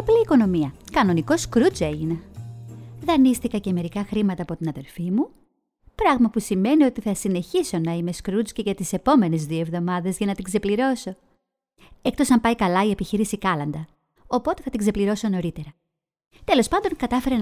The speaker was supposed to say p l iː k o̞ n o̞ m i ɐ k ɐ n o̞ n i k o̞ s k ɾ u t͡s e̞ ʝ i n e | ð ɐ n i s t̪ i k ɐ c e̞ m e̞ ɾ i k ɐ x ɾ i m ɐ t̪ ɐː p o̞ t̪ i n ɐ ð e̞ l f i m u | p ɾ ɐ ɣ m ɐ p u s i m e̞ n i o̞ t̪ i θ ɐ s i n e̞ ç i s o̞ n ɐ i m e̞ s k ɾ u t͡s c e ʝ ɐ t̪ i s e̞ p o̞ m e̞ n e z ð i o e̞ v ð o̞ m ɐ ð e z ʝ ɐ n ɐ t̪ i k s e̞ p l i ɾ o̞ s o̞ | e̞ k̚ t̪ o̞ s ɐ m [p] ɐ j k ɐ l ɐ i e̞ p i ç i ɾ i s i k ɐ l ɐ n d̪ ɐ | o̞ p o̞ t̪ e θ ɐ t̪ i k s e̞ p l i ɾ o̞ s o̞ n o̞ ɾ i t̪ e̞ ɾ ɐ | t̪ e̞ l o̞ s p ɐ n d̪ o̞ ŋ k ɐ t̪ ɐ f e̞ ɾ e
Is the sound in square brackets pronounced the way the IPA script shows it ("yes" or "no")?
yes